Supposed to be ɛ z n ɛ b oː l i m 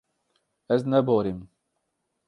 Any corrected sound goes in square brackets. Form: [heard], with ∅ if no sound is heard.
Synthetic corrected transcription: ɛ z n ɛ b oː [ɾ] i m